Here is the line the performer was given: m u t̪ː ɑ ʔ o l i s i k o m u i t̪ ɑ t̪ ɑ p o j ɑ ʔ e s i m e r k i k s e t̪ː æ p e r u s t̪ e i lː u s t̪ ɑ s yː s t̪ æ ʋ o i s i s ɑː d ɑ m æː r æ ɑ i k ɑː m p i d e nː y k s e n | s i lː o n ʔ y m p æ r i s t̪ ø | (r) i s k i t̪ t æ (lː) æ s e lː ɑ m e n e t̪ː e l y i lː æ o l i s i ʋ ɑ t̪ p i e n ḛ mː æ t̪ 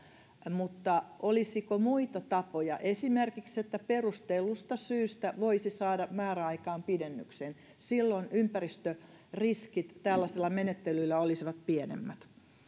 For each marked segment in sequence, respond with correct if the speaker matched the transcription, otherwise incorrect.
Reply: correct, correct

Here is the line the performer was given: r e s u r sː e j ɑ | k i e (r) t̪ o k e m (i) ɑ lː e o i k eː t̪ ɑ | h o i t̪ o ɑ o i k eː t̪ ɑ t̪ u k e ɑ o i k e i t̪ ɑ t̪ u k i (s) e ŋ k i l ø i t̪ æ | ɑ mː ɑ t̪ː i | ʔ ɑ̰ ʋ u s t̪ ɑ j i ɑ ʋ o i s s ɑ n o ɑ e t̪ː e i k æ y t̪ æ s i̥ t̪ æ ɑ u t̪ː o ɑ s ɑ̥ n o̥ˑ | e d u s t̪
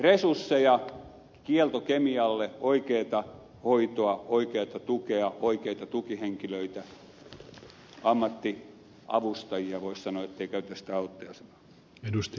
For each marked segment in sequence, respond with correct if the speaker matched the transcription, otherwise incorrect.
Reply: incorrect: l, correct, incorrect: h

